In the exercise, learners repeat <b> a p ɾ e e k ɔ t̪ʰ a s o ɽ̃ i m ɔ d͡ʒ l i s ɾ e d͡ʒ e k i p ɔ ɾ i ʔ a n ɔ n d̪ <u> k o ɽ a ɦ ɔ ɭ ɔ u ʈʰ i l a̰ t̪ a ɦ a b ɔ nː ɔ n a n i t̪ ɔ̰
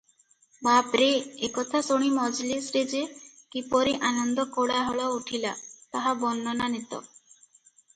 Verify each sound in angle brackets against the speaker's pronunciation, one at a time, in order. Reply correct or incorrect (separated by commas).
correct, incorrect